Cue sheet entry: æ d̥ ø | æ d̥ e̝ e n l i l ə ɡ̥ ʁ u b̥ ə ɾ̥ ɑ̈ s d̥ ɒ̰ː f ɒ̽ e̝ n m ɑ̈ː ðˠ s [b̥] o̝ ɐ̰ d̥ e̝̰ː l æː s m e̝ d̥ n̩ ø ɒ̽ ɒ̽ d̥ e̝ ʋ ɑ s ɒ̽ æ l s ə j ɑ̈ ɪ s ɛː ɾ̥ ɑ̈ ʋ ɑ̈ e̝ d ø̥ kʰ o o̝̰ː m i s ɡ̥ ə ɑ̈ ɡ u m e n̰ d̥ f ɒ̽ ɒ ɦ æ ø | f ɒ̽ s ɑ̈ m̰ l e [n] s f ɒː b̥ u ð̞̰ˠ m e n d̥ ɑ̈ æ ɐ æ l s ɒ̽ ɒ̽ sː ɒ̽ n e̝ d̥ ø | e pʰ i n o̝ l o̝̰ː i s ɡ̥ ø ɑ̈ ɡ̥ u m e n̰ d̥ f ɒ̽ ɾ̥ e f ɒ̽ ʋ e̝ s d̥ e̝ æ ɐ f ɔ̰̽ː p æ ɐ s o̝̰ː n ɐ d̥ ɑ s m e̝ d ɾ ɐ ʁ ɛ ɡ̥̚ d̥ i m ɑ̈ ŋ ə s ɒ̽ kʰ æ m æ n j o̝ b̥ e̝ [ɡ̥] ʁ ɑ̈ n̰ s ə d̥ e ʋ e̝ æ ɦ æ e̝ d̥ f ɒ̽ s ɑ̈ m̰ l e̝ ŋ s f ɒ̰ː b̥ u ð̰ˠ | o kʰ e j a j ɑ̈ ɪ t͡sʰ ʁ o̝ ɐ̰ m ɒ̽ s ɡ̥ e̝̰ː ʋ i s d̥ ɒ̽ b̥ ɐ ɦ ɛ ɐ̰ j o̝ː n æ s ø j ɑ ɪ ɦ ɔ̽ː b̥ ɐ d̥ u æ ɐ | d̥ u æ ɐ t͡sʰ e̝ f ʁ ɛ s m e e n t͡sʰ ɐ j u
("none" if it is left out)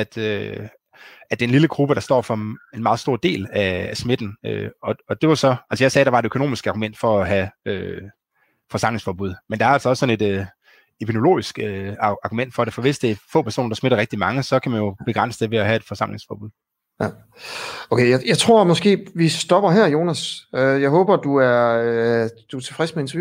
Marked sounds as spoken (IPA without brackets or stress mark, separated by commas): d̥, ŋ, ɡ̥